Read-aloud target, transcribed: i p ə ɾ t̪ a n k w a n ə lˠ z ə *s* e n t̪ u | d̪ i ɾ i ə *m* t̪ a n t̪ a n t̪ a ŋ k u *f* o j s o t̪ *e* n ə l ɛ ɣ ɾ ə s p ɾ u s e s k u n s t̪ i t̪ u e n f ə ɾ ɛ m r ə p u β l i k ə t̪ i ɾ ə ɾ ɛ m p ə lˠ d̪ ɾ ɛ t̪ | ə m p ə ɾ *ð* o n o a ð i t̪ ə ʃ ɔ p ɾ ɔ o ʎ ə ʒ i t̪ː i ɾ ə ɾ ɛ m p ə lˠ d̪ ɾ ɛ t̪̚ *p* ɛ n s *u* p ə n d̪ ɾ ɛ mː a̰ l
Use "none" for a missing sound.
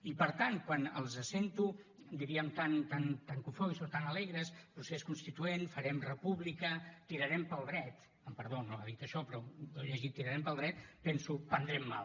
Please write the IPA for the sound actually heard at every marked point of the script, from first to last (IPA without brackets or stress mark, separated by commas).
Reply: s, m, f, a, ð, p, u